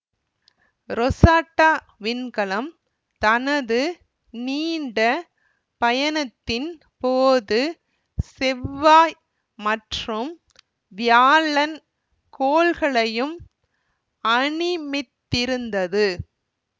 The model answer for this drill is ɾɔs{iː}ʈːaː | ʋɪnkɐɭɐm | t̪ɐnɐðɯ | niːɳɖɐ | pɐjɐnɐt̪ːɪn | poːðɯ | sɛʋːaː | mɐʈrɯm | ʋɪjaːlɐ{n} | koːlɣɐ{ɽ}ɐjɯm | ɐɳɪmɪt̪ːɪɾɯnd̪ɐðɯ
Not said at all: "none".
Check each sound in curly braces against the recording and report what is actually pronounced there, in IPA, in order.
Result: aː, n, ɭ

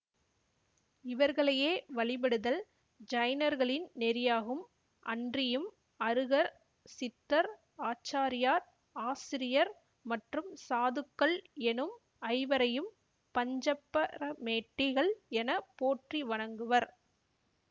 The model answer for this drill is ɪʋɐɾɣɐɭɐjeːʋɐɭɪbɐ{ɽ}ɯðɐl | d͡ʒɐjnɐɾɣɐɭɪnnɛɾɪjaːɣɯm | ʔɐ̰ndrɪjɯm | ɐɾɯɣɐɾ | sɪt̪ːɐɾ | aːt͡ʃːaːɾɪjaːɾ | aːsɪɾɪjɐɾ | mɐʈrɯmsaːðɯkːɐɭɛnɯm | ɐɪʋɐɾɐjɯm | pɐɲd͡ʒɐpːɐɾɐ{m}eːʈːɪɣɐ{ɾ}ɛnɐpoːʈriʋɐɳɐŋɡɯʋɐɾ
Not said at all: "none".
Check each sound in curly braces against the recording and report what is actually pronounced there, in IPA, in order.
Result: ɽ, m, ɭ

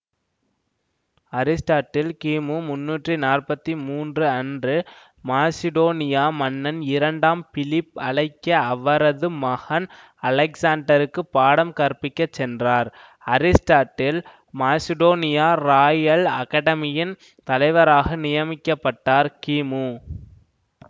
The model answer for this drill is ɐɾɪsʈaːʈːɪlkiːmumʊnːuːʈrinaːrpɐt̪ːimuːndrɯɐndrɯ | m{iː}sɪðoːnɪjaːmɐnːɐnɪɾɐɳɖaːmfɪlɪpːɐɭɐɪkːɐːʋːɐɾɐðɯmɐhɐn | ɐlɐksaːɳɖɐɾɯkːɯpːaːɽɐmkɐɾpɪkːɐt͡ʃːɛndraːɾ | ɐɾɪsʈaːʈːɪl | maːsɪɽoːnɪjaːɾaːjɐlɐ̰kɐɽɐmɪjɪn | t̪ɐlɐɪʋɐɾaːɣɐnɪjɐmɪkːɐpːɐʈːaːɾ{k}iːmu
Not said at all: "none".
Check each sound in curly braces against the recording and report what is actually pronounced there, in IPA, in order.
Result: aː, k

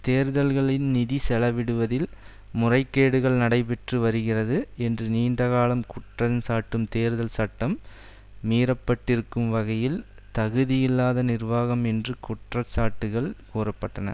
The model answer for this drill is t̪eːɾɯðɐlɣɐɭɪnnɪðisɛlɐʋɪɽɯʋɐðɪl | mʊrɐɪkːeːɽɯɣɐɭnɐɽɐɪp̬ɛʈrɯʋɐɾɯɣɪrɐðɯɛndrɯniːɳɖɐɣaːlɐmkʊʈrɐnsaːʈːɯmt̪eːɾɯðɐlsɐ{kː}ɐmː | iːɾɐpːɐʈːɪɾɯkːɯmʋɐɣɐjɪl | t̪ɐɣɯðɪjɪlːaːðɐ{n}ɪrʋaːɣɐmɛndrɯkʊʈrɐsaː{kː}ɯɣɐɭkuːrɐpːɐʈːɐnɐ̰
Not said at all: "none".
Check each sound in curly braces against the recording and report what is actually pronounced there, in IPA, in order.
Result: ʈː, n, ʈː

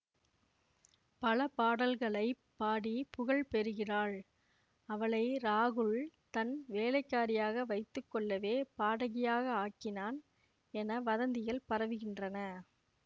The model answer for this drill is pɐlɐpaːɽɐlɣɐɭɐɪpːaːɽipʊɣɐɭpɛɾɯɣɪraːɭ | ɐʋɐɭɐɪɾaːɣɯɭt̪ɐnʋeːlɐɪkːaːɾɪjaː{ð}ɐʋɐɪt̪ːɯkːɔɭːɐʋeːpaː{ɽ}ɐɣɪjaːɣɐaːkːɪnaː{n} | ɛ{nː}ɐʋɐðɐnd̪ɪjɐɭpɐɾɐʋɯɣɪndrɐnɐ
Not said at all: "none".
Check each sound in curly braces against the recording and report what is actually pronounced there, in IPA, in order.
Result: ɣ, ɽ, n, n

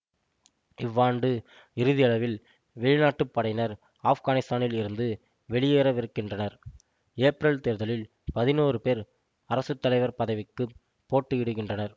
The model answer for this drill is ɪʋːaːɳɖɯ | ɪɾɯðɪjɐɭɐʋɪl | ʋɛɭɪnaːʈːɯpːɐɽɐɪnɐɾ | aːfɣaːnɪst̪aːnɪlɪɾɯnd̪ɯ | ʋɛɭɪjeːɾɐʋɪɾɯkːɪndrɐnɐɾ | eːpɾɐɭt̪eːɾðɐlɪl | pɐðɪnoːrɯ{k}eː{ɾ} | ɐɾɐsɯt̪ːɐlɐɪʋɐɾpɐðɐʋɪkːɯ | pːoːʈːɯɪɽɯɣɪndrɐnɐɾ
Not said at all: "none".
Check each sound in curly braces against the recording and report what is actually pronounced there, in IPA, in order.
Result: p, ɾ

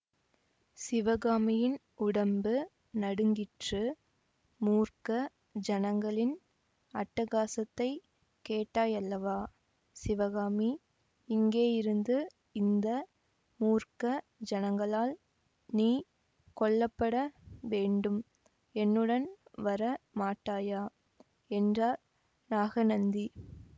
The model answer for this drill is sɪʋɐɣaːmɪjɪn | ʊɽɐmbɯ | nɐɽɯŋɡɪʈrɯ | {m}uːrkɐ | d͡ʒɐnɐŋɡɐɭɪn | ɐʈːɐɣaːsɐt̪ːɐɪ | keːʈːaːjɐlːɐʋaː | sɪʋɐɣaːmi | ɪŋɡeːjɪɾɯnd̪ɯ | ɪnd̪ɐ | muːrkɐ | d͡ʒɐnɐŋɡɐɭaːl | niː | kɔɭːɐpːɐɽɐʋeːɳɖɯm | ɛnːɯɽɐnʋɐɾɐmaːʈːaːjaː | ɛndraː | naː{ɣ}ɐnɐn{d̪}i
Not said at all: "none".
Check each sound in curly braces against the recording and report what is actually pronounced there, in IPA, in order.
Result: m, ɣ, d̪

